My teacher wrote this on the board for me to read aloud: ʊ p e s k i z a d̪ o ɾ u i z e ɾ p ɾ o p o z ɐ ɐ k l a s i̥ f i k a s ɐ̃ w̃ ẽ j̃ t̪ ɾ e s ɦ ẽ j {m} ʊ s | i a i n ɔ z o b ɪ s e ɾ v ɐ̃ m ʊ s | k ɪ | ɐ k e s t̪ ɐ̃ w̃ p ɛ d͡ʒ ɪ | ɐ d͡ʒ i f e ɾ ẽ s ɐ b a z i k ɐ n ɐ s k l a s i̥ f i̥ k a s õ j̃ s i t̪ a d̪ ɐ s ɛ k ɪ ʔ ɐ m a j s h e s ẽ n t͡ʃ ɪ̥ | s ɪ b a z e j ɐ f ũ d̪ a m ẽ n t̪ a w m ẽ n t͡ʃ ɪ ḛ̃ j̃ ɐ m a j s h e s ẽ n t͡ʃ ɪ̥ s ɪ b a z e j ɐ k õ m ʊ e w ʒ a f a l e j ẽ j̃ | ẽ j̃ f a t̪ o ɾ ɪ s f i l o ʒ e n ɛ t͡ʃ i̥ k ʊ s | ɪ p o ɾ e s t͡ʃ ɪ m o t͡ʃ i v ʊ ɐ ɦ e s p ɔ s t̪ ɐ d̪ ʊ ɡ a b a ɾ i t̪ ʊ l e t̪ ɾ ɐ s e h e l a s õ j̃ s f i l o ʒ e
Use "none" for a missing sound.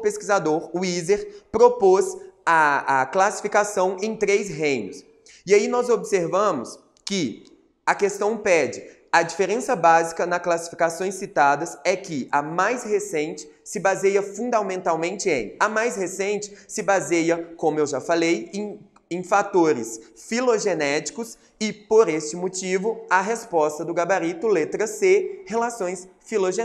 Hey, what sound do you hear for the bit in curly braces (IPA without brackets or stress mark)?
n